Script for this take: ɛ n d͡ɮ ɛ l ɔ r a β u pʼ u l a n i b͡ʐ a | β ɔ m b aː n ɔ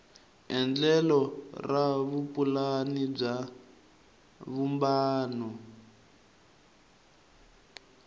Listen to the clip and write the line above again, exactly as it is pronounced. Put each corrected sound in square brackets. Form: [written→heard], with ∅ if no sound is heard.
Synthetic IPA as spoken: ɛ n d͡ɮ ɛ l ɔ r a β u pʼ u l a n i b͡ʐ a | β [ɔ→u] m b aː n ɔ

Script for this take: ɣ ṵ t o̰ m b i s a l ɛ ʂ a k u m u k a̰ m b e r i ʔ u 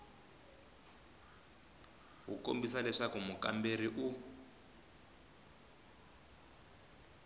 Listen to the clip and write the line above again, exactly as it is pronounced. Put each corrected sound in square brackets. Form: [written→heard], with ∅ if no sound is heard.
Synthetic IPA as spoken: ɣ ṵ [t→k] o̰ m b i s a l ɛ ʂ a k u m u k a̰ m b e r i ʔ u

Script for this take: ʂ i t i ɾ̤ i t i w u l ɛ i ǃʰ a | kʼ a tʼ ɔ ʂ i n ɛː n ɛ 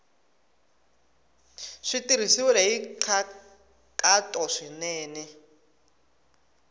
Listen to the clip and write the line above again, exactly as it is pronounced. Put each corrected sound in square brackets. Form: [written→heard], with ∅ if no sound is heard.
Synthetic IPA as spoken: ʂ i t i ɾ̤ i [t→s] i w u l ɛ i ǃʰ a | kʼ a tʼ ɔ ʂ i n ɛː n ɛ

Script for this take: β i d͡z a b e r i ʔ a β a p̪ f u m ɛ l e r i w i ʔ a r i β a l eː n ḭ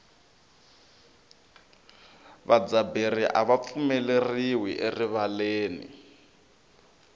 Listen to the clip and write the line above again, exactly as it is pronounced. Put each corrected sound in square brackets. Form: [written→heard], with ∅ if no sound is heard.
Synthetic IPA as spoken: β [i→a] d͡z a b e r i ʔ a β a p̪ f u m ɛ l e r i w i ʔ [a→e] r i β a l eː n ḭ

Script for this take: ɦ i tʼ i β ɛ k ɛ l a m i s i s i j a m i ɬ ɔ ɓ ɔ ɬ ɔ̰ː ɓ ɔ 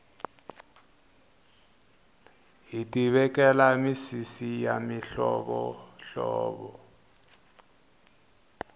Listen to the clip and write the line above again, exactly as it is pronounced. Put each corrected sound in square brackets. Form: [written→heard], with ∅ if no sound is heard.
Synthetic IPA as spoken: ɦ i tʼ i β ɛ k ɛ l a m i s i s i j a m i ɬ ɔ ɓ ɔ ɬ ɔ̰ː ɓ ɔ

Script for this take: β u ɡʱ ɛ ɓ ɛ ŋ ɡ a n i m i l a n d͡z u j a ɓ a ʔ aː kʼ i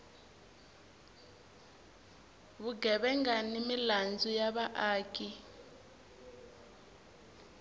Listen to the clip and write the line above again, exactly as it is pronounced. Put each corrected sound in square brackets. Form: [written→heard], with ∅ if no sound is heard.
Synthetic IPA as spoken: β u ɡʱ ɛ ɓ ɛ ŋ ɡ a n i m i l a n d͡z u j a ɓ a ʔ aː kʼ i

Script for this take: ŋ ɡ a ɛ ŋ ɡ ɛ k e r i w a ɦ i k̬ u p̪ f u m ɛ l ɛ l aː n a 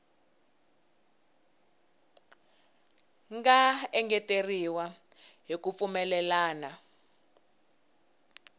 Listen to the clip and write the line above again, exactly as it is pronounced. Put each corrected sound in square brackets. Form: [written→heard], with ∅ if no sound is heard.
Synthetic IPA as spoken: ŋ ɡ a ɛ ŋ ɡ ɛ [k→t] e r i w a ɦ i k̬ u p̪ f u m ɛ l ɛ l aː n a

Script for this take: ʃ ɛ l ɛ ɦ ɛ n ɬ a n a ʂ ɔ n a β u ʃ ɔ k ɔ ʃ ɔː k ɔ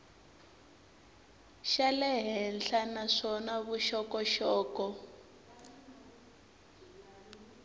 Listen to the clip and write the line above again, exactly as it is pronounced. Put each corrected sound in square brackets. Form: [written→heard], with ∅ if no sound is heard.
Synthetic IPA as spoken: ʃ [ɛ→a] l ɛ ɦ ɛ n ɬ a n a ʂ ɔ n a β u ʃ ɔ k ɔ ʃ ɔː k ɔ

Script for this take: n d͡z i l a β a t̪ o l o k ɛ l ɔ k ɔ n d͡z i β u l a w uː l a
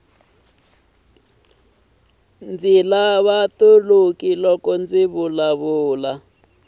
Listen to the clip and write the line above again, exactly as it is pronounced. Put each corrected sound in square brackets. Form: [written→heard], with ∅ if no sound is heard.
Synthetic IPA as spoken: n d͡z i l a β a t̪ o l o k [ɛ→i] l ɔ k ɔ n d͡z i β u l a [w→β] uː l a

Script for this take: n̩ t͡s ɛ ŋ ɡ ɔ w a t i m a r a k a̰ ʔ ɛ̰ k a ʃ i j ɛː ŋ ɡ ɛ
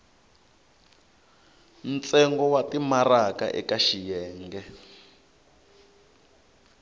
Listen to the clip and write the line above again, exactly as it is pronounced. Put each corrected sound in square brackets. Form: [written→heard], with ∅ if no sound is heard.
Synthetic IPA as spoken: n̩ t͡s ɛ ŋ ɡ ɔ w a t i m a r a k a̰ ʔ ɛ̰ k a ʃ i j ɛː ŋ ɡ ɛ

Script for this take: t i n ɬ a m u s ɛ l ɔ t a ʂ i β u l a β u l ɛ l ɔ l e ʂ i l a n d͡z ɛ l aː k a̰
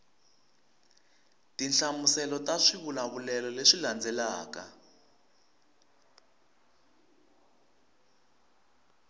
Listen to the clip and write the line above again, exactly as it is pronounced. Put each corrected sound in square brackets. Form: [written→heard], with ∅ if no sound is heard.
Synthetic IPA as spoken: t i n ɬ a m u s ɛ l ɔ t a ʂ i β u l a β u l ɛ l ɔ l e ʂ i l a n d͡z ɛ l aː k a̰

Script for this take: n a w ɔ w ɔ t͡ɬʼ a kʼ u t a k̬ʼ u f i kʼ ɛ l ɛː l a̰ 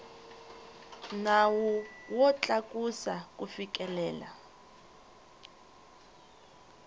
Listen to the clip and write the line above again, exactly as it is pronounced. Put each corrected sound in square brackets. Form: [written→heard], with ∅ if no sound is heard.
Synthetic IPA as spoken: n a w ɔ w ɔ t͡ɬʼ a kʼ u [t→s] a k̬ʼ u f i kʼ ɛ l ɛː l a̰

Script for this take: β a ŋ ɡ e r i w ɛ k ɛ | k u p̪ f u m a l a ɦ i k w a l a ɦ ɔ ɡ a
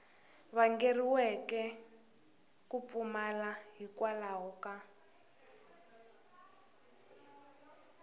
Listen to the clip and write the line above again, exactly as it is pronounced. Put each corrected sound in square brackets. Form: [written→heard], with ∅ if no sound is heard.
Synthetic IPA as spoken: β a ŋ ɡ e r i w ɛ k ɛ | k u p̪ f u m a l a ɦ i k w a l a ɦ ɔ [ɡ→k] a

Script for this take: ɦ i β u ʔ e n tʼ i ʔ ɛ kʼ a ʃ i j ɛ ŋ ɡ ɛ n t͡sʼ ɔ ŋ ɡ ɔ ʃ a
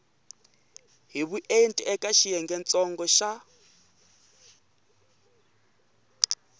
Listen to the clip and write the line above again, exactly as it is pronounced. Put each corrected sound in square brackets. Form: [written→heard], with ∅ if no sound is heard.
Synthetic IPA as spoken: ɦ i β u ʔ e n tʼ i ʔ ɛ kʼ a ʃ i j ɛ ŋ ɡ ɛ n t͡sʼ ɔ ŋ ɡ ɔ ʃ a

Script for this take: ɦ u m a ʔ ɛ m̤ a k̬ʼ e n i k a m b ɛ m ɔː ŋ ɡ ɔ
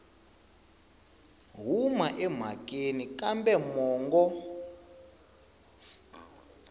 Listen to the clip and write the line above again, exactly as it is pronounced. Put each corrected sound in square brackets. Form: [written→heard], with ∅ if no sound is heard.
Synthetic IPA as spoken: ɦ u m a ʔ ɛ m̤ a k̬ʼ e n i k a m b ɛ m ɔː ŋ ɡ ɔ

